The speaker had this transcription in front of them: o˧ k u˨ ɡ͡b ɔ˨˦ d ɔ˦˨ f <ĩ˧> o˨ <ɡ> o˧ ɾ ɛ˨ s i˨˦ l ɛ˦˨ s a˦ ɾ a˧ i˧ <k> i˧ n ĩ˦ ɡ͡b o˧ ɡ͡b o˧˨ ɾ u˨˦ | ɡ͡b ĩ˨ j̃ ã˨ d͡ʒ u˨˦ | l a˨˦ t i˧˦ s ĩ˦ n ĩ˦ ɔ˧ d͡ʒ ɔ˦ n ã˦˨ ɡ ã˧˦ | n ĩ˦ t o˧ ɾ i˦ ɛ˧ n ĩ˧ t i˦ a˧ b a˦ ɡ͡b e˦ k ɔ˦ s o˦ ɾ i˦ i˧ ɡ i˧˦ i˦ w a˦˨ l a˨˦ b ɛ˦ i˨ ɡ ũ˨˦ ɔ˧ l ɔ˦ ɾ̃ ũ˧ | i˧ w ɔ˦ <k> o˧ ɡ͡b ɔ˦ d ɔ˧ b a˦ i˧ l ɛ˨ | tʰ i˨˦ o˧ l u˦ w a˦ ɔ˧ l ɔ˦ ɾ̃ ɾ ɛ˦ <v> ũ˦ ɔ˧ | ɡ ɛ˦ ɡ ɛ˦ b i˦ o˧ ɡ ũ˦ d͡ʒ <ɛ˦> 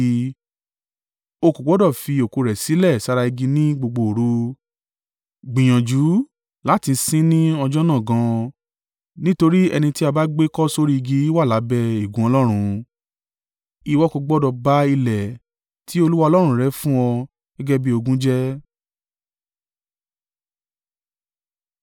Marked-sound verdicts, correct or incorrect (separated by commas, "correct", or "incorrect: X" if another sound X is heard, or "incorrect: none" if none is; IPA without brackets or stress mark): incorrect: i˧, incorrect: k, incorrect: ɡ, correct, incorrect: f, correct